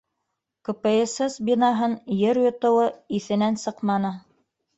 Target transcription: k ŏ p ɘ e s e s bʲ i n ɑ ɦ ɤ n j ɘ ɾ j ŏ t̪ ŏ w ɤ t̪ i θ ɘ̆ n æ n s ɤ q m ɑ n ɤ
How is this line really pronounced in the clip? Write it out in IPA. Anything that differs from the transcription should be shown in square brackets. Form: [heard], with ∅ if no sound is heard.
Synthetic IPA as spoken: k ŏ p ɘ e s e s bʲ i n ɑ ɦ ɤ n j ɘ ɾ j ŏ t̪ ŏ w ɤ [∅] i θ ɘ̆ n æ n s ɤ q m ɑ n ɤ